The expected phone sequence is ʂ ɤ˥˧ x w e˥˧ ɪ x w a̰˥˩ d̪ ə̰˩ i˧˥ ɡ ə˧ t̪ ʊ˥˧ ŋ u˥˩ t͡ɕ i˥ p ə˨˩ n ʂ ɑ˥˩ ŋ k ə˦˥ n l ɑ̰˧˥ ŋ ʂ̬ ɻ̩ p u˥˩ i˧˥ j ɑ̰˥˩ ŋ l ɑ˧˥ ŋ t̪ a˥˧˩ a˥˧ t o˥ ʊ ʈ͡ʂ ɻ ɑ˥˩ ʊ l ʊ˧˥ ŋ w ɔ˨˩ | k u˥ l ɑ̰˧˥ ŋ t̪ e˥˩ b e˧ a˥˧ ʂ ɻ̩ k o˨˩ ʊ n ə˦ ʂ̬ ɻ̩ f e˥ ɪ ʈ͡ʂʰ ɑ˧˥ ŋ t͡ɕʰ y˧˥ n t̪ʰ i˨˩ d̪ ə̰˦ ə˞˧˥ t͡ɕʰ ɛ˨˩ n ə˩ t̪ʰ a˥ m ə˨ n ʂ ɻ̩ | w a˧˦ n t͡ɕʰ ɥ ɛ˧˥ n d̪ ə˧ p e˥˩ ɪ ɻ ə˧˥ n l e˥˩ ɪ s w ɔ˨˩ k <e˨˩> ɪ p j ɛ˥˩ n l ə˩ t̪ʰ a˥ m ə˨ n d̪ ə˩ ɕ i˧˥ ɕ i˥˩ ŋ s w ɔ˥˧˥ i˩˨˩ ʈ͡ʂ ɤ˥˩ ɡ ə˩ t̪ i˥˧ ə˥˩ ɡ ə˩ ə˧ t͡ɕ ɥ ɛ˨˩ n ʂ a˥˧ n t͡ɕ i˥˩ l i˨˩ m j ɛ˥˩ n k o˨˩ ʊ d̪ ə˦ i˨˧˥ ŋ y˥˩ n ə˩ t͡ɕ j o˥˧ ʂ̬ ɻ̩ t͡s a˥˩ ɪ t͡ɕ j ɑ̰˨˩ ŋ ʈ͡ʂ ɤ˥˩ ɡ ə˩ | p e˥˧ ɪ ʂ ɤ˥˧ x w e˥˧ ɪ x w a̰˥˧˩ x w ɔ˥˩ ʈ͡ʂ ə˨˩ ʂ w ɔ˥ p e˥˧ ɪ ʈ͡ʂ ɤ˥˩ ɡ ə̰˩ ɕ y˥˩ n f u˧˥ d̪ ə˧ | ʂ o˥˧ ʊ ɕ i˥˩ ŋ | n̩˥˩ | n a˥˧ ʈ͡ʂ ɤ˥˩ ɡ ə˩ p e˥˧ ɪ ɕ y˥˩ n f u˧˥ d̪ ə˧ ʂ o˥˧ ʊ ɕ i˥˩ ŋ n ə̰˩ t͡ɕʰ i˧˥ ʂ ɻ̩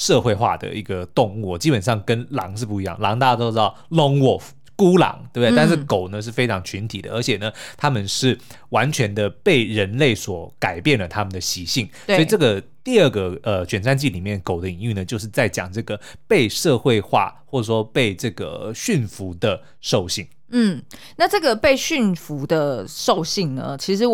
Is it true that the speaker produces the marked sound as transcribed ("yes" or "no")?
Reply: no